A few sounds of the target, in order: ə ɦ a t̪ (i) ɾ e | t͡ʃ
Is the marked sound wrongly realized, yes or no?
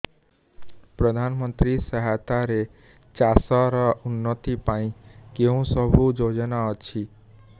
yes